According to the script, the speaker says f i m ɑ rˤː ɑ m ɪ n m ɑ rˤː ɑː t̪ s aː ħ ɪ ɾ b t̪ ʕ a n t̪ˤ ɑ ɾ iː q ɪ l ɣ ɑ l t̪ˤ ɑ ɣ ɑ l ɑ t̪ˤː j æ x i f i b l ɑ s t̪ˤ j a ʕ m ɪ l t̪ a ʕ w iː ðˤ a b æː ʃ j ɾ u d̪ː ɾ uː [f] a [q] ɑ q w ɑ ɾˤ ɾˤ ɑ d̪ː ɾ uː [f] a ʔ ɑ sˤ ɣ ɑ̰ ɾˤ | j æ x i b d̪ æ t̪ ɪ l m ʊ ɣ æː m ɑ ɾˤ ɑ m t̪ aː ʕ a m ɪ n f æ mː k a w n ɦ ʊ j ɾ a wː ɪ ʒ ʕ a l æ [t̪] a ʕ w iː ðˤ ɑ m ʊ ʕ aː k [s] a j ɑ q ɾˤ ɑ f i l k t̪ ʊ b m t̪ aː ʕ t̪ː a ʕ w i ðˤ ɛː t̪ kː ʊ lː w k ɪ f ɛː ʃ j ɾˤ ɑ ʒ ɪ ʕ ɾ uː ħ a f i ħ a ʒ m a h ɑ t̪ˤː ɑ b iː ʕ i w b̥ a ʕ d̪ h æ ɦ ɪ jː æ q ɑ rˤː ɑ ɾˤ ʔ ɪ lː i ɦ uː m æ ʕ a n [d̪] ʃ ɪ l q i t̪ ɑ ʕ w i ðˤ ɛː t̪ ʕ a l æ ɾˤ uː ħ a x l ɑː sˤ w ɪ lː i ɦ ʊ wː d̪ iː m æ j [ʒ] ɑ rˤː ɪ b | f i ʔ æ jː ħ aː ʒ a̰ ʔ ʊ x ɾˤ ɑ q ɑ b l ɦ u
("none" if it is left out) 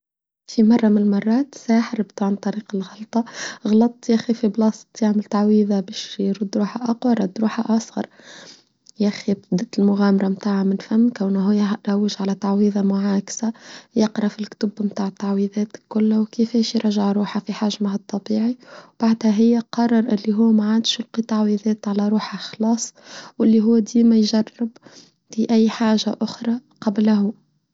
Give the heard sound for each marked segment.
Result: ħ, ʔ, ħ, t̪, s, d̪, ʒ

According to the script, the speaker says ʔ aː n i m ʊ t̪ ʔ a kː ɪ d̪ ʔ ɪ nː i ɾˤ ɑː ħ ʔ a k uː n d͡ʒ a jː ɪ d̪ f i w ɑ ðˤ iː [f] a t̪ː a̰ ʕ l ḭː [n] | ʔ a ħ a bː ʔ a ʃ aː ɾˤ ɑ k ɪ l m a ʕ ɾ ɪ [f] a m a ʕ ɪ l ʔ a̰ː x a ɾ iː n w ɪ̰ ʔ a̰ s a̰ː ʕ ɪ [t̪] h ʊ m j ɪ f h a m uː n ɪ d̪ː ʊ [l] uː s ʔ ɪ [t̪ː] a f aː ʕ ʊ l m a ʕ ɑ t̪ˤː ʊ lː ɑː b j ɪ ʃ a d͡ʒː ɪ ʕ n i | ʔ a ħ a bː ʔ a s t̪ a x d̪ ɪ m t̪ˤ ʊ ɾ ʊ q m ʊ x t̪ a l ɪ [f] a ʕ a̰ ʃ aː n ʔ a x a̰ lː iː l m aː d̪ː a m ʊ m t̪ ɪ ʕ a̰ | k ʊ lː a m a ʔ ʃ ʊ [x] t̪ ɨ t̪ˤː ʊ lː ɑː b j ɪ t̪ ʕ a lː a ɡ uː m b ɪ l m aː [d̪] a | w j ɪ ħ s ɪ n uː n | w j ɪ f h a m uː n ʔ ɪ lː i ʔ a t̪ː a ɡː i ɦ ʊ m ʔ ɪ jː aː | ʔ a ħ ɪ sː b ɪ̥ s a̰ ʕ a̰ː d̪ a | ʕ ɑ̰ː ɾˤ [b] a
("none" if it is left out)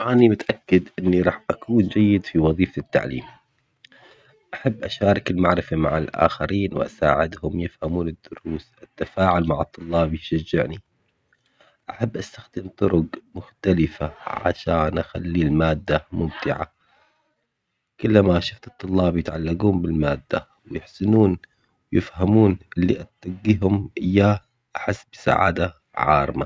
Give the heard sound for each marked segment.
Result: f, m, f, d̪, ɾ, t̪ː, f, f, d̪ː, m

